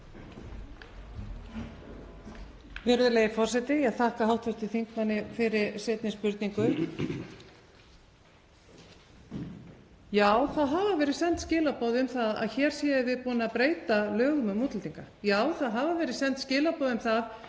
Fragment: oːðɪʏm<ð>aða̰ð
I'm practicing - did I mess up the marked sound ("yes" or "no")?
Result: yes